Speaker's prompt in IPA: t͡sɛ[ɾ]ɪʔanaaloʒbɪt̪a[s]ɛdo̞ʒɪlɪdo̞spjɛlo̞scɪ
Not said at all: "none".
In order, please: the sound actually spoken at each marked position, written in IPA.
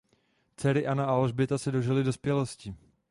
ɾ, s

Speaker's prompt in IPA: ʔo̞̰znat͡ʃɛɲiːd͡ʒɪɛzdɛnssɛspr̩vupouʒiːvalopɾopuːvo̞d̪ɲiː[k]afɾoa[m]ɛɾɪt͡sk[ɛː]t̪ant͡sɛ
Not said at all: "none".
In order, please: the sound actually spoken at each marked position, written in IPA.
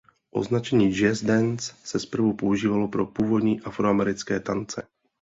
ʔ, m, ɛː

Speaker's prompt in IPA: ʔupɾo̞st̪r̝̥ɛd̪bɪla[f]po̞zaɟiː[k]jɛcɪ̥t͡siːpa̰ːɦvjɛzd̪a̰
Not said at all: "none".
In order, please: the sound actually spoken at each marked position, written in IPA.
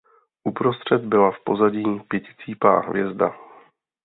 f, p

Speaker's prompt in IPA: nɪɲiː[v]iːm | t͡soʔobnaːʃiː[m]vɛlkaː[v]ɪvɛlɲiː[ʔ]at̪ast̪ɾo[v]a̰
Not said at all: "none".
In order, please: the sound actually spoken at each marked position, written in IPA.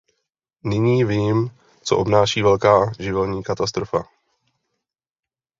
v, none, ʒ, k, f

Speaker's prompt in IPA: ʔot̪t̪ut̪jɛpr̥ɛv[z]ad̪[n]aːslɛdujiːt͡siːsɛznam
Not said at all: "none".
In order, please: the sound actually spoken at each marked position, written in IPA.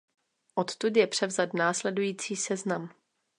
z, n

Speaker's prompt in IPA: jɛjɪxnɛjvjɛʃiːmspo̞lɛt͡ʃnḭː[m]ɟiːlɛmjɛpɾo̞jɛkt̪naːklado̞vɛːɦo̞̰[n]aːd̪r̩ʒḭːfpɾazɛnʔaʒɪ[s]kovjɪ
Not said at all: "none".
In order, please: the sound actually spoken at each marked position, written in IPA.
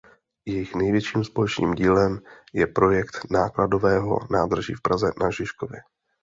m, n, ʃ

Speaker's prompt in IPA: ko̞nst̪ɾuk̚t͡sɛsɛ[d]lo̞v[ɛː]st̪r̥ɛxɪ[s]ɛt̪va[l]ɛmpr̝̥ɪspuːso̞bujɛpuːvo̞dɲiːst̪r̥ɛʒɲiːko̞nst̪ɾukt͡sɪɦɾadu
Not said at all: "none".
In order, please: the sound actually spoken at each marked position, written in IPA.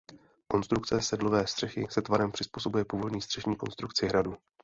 d, ɛː, s, ɾ

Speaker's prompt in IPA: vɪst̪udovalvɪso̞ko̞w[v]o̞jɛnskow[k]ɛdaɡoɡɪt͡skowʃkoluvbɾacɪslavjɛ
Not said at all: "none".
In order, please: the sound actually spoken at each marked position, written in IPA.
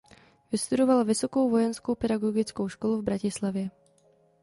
v, p

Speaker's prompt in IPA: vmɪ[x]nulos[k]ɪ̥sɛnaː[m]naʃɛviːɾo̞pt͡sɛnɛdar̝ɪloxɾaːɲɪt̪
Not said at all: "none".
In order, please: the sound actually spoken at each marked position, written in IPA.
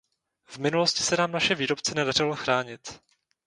none, c, m

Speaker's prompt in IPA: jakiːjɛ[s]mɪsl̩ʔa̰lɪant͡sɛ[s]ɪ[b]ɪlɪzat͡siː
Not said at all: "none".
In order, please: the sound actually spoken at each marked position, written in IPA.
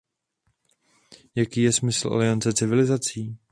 s, t͡s, v

